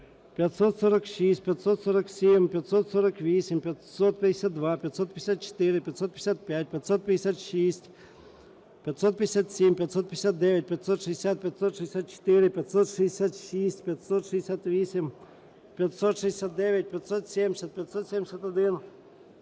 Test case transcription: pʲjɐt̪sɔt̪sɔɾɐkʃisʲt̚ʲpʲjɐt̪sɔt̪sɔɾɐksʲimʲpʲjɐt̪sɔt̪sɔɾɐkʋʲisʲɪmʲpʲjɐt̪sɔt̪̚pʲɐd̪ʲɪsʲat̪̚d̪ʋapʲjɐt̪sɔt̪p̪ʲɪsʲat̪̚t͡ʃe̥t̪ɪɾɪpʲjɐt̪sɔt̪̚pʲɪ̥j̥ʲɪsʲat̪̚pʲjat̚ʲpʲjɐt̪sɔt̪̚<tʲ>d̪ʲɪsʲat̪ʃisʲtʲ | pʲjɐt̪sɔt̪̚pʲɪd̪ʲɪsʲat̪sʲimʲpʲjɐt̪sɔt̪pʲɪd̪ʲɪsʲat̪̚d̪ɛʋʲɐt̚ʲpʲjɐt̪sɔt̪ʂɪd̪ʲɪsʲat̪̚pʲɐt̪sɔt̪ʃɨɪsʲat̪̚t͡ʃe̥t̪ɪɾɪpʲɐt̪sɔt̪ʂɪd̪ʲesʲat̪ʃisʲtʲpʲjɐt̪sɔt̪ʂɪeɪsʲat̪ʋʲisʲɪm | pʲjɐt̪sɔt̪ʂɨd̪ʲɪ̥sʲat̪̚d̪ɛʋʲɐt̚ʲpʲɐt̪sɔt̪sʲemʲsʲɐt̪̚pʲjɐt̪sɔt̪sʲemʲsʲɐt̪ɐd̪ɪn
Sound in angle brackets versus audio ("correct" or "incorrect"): incorrect